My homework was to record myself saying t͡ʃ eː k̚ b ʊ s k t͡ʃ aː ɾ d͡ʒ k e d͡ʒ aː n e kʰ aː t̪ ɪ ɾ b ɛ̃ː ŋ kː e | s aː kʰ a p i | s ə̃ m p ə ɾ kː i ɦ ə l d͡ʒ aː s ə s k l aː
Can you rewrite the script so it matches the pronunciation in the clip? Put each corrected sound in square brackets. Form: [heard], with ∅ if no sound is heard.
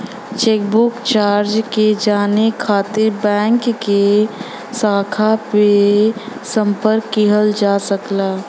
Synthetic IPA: t͡ʃ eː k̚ b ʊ [∅] k t͡ʃ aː ɾ d͡ʒ k e d͡ʒ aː n e kʰ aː t̪ ɪ ɾ b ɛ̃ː ŋ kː e | s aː kʰ a p [e] | s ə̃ m p ə ɾ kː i ɦ ə l d͡ʒ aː s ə [∅] k l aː